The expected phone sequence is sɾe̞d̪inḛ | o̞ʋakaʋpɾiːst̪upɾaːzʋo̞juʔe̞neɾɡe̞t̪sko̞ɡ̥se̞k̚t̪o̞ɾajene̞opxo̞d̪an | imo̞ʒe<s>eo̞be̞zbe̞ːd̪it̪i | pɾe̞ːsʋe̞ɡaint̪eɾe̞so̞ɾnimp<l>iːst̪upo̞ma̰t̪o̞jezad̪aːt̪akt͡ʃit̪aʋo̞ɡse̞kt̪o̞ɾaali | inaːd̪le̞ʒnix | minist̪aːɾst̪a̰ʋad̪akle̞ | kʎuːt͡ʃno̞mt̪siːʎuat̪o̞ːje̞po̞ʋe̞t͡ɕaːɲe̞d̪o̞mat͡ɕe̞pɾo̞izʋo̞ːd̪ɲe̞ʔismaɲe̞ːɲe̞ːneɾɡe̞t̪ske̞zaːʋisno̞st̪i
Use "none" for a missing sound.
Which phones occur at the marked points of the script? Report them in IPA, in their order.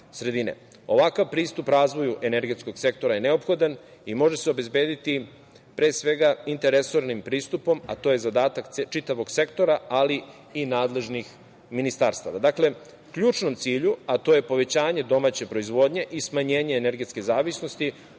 s, ɾ

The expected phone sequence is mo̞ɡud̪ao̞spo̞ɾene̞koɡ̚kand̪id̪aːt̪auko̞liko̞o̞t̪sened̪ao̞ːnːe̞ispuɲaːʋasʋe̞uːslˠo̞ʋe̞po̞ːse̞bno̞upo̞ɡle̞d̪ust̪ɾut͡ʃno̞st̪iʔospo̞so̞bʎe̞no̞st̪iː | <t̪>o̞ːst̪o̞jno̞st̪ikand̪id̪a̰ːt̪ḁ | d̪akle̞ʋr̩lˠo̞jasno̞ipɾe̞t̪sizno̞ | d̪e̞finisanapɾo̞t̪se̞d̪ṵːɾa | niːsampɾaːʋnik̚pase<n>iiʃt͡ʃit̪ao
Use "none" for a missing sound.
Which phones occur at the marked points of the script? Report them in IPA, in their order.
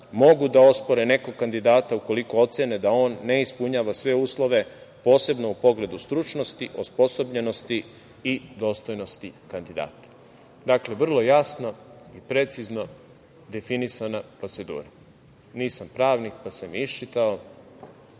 d̪, m

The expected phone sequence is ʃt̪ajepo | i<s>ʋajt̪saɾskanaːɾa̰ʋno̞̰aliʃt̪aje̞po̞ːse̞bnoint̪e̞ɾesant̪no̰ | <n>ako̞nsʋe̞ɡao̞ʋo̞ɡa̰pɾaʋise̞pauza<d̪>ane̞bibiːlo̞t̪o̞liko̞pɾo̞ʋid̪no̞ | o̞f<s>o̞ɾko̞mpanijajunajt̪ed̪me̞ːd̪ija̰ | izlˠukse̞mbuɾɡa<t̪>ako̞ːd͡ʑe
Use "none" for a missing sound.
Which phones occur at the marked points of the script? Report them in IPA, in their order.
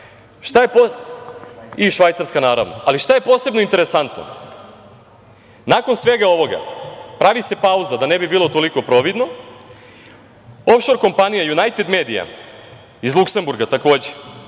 ʃ, n, d̪, ʃ, t̪

